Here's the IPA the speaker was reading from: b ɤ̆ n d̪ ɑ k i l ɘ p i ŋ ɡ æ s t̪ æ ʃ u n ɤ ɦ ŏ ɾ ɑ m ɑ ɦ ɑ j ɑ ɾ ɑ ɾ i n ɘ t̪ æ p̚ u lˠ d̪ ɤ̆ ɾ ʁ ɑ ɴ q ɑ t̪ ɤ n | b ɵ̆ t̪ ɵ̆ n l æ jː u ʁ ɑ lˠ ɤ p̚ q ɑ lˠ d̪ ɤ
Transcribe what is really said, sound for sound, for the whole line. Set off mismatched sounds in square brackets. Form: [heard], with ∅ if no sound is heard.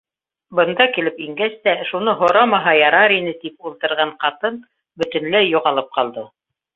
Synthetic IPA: b ɤ̆ n d̪ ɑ k i l ɘ p i ŋ ɡ æ s t̪ æ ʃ u n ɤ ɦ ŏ ɾ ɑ m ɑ ɦ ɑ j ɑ ɾ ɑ ɾ i n ɘ t̪ [i] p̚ u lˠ [t̪] ɤ̆ ɾ ʁ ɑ ɴ q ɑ t̪ ɤ n | b ɵ̆ t̪ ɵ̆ n l æ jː u ʁ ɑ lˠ ɤ p̚ q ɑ lˠ d̪ ɤ